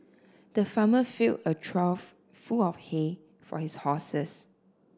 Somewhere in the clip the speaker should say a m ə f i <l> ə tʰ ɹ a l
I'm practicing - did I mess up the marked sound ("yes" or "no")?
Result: no